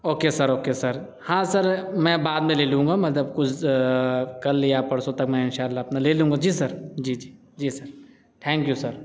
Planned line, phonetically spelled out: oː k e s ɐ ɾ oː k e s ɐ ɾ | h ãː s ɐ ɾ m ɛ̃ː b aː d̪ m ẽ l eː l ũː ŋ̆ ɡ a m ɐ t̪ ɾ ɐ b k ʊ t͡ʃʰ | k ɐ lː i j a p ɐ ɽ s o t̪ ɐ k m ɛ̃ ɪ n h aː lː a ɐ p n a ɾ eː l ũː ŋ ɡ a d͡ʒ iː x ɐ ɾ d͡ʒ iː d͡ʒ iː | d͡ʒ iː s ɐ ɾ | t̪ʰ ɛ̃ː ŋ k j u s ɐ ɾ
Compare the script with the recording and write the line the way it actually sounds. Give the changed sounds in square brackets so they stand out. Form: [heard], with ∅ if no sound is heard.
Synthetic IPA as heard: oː k e s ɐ ɾ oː k e s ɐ ɾ | h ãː s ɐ ɾ m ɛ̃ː b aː d̪ m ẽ l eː l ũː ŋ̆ ɡ a m ɐ t̪ [l] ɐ b k ʊ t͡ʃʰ | k ɐ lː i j a p ɐ ɽ s o t̪ ɐ k m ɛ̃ ɪ n [ʃ] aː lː a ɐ p n a [l] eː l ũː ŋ ɡ a d͡ʒ iː [s] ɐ ɾ d͡ʒ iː d͡ʒ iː | d͡ʒ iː s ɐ ɾ | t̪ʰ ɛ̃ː ŋ k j u s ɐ ɾ